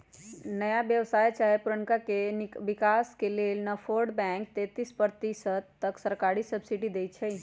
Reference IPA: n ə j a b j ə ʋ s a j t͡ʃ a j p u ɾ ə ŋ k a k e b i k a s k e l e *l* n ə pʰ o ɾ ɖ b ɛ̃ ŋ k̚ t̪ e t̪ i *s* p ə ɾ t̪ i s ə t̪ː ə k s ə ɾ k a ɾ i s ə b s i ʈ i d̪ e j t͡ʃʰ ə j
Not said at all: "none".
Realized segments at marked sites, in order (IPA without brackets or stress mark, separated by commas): l, s